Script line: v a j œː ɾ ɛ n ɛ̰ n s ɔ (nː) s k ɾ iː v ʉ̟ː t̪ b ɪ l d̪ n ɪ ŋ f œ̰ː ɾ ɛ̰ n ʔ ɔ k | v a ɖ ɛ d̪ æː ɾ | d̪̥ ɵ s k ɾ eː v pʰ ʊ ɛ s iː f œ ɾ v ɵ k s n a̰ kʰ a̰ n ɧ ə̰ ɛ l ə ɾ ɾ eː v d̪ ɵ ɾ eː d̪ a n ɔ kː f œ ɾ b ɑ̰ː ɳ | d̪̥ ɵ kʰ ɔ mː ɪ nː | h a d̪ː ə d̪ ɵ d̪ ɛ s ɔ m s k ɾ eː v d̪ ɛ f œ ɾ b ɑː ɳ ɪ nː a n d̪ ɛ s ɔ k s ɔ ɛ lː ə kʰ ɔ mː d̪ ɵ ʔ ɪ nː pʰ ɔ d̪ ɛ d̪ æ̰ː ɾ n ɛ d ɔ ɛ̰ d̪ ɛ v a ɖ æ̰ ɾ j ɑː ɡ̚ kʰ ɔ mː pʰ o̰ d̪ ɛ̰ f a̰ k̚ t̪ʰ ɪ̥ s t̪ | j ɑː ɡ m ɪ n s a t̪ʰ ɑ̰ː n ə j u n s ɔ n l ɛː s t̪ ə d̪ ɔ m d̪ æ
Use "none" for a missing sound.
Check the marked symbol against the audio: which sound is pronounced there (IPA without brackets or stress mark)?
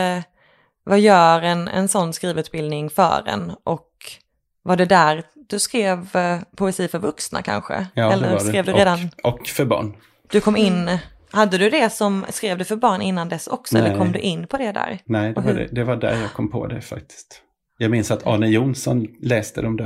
nː